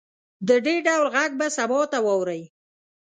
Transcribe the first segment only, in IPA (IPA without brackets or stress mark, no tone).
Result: d̪